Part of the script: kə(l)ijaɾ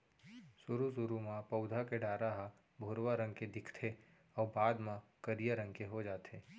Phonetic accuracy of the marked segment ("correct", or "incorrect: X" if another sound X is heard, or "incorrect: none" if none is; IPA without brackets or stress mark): incorrect: ɾ